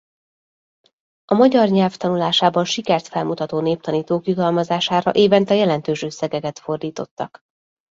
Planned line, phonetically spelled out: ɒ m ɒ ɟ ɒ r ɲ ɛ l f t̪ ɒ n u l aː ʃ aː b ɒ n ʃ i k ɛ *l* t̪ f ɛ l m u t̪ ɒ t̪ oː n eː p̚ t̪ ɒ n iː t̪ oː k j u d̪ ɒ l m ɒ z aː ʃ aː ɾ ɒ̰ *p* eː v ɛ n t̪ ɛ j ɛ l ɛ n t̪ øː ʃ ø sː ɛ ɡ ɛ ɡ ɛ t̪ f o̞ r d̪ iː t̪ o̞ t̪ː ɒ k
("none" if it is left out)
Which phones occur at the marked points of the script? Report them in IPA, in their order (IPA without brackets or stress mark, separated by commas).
r, ʔ